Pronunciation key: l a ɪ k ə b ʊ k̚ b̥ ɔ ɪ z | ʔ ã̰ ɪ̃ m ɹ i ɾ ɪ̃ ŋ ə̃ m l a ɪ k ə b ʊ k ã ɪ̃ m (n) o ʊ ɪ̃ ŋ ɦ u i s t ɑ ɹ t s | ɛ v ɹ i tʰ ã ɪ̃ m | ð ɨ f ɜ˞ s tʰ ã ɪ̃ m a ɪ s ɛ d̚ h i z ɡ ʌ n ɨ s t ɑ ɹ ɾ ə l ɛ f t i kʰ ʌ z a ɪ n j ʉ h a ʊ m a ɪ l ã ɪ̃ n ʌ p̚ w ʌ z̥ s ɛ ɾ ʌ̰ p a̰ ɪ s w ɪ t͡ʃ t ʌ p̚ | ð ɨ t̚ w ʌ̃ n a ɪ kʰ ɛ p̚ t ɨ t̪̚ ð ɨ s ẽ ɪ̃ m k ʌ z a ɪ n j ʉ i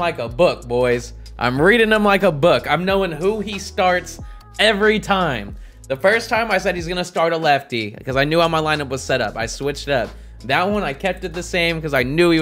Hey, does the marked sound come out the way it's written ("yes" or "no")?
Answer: yes